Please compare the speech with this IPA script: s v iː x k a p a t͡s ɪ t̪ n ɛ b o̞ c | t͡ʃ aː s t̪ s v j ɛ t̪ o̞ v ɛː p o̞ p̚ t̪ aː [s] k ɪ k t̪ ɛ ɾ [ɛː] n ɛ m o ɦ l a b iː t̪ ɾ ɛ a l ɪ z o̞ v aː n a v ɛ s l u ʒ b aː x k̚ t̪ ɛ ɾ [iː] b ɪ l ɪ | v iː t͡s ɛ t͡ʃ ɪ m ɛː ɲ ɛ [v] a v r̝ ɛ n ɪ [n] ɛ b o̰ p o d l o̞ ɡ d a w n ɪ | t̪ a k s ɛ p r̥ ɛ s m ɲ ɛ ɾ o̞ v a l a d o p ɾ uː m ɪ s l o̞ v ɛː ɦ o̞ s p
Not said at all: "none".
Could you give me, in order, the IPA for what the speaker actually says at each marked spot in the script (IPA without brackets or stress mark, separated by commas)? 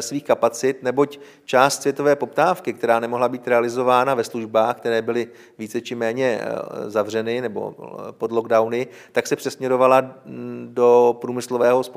f, aː, ɛː, z, n